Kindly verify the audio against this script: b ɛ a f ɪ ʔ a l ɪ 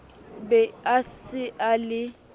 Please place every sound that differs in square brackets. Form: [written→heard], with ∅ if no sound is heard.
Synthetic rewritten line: b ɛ a [f→s] ɪ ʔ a l ɪ